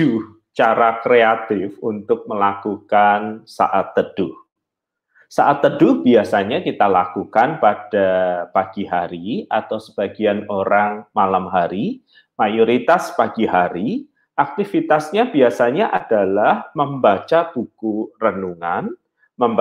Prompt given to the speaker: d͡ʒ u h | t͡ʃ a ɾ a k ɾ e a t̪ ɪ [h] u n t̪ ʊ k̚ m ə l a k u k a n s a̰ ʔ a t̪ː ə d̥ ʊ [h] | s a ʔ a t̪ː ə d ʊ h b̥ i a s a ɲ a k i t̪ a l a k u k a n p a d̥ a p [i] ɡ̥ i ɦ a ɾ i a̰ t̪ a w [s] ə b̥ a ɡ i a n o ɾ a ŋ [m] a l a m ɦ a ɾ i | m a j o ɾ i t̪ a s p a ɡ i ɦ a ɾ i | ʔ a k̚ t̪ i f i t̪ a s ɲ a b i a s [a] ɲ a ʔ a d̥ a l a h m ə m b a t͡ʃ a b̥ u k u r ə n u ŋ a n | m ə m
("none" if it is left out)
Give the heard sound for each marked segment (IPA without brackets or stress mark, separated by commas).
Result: f, h, a, s, m, a